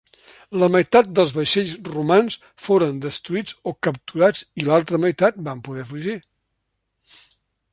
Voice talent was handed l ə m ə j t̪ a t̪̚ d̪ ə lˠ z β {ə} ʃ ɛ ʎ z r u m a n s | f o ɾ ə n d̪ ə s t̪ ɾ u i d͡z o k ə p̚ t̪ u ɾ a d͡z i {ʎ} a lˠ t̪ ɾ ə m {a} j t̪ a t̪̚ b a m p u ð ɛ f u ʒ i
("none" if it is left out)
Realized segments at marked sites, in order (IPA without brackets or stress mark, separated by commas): ə, l, ə